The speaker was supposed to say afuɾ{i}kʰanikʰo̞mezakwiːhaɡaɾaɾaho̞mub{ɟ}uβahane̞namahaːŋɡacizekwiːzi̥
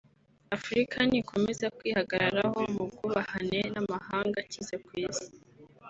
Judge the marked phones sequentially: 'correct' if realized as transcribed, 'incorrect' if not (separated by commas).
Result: correct, incorrect